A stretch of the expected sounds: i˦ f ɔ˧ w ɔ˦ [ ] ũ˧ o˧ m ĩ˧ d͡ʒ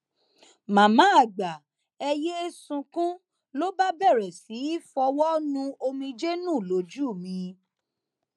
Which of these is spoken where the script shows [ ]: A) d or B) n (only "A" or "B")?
B